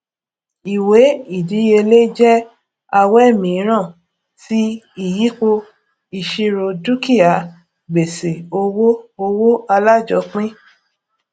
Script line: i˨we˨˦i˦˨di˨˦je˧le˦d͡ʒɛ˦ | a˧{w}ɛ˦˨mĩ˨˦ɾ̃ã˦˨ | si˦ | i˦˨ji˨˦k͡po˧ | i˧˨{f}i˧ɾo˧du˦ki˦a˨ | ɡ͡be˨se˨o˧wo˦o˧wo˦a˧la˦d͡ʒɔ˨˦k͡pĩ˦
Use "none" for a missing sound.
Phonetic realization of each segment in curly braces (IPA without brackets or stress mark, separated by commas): w, ʃ